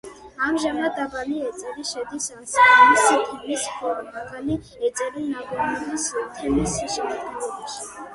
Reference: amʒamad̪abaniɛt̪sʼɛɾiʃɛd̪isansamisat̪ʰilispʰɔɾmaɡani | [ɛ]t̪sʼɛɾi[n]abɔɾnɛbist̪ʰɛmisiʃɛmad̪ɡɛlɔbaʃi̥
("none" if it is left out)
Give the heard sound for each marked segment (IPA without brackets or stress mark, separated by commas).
ɛ, n